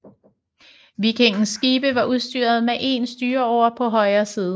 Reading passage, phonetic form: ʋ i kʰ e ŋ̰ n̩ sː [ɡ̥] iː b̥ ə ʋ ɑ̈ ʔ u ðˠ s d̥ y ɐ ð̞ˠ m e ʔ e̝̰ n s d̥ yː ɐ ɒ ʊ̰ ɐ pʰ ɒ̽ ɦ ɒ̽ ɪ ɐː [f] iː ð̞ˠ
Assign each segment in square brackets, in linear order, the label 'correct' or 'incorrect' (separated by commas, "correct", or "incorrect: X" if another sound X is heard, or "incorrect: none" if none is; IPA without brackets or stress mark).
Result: correct, incorrect: s